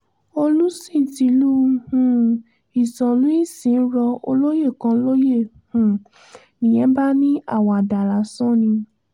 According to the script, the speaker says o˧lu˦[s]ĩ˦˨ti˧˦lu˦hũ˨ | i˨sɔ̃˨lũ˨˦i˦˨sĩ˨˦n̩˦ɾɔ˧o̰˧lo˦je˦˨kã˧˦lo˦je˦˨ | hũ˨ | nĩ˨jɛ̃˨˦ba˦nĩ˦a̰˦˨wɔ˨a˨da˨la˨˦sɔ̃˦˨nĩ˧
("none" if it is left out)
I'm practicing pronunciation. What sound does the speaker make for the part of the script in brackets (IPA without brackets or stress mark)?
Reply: s